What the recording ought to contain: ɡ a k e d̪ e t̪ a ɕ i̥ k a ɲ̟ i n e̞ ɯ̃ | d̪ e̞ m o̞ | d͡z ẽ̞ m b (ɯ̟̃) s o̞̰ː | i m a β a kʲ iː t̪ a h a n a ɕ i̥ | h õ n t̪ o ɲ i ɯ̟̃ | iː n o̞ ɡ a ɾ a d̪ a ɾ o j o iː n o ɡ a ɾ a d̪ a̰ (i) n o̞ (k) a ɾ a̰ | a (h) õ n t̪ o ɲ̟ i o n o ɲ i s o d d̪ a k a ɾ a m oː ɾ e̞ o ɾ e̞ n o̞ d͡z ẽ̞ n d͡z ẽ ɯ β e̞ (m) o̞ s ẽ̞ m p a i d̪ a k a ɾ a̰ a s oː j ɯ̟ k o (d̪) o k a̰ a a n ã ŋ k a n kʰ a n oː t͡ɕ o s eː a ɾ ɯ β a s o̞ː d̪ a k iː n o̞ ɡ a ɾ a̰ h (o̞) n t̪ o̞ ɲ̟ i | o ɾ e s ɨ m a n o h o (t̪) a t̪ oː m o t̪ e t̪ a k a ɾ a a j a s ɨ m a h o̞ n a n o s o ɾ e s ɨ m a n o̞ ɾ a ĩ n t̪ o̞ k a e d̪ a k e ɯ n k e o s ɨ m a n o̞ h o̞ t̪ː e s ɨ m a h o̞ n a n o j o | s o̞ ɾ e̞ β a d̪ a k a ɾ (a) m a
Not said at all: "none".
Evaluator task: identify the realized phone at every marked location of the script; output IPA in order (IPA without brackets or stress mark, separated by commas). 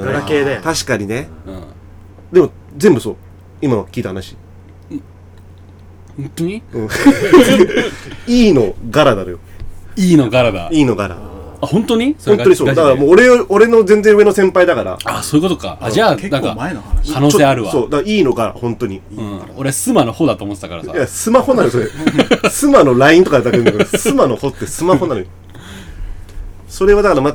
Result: ɯ̟, iː, ɡ, h, n, t̪, õ̞, d̪, a